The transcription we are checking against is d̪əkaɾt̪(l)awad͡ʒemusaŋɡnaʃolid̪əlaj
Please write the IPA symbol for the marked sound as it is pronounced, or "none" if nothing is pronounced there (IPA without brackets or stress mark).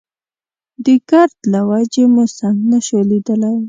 l